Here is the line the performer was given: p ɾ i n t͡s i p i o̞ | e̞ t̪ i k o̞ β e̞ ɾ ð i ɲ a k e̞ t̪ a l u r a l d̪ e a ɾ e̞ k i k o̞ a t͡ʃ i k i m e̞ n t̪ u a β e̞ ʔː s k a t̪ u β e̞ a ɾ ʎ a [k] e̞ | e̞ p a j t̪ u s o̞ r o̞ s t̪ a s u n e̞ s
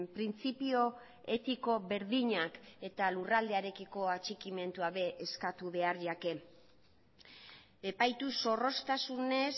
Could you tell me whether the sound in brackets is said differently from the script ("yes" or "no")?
no